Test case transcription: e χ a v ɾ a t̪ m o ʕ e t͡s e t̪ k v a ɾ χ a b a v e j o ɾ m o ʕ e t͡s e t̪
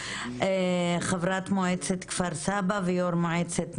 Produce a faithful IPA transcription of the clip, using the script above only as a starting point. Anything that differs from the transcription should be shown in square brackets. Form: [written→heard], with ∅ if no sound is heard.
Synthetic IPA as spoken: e χ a v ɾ a t̪ m o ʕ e t͡s e t̪ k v a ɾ [χ→s] a b a v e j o ɾ m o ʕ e t͡s e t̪

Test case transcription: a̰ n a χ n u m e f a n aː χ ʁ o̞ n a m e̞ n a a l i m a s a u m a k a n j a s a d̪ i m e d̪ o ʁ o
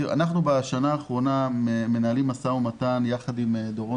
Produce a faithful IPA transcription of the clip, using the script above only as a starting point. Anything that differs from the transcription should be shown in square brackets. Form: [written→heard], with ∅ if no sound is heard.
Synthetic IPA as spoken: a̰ n a χ n u [m→b] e [f→ʃ] a n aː χ ʁ o̞ n a m e̞ n a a l i m a s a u m a [k→t] a n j a [s→χ] a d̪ i m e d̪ o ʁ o

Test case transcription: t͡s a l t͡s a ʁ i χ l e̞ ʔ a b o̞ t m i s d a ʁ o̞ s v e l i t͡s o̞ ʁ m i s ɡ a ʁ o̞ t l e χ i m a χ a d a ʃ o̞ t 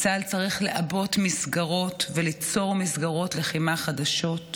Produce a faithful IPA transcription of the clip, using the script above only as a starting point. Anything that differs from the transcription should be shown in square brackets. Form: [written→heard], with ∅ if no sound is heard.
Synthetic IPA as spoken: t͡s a l t͡s a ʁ i χ l e̞ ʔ a b o̞ t m i s [d→ɡ] a ʁ o̞ [s→t] v e l i t͡s o̞ ʁ m i s ɡ a ʁ o̞ t l e χ i m a χ a d a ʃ o̞ t

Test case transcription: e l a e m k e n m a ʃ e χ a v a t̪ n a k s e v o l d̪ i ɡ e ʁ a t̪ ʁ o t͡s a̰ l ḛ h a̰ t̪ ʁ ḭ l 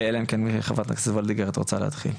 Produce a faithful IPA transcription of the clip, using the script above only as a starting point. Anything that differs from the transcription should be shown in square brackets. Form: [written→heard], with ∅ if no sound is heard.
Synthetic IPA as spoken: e l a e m k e n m [a→i] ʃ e χ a v a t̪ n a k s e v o l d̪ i ɡ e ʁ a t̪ ʁ o t͡s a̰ l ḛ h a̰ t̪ [ʁ→χ] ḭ l

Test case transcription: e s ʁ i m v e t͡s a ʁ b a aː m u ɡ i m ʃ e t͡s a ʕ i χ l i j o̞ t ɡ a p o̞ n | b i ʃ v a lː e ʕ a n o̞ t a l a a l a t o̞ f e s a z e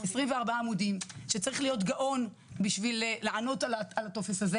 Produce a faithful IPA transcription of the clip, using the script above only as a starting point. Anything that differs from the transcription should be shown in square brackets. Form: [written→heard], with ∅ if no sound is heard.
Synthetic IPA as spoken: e s ʁ i m v e [t͡s→∅] a ʁ b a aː m u [ɡ→d] i m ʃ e t͡s a [ʕ→ʁ] i χ l i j o̞ t ɡ a [p→ʔ] o̞ n | b i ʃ v [a→i] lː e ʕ a n o̞ t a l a a l a t o̞ f e s a z e

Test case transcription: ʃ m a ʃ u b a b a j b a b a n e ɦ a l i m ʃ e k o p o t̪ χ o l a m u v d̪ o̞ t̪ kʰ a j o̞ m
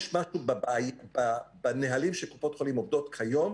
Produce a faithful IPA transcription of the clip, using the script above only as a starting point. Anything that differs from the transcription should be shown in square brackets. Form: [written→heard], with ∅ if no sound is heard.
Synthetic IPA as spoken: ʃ m a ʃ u b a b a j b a b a n e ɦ a l i m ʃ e k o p o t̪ χ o l [a→i] m [u→o] v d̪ o̞ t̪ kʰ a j o̞ m

